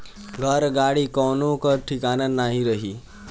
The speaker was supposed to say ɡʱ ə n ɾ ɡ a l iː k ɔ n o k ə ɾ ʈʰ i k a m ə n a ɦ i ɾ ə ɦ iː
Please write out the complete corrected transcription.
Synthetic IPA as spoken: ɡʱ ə ɾ ɡ a ɽ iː k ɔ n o k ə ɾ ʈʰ i k a n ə n a ɦ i ɾ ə ɦ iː